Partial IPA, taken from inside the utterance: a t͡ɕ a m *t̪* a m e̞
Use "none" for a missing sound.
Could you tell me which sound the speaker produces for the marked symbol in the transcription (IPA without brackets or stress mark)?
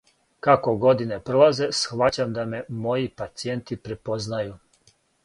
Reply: d̪